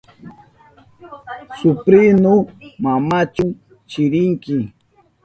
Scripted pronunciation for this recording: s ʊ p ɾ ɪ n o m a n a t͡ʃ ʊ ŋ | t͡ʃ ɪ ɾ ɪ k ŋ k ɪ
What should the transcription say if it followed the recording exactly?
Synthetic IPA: s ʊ p ɾ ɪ n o m a m a t͡ʃ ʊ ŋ | t͡ʃ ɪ ɾ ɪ ŋ k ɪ